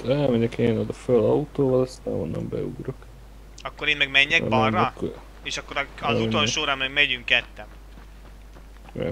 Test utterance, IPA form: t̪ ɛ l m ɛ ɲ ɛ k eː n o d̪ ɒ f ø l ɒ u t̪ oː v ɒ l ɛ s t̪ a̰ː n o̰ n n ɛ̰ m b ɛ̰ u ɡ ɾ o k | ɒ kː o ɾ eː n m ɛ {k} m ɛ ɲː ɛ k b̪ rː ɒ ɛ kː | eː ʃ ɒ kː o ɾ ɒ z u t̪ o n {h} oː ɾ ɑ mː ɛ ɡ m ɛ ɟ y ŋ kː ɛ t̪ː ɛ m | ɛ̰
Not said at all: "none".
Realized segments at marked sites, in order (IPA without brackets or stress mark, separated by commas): ɡ, ʃ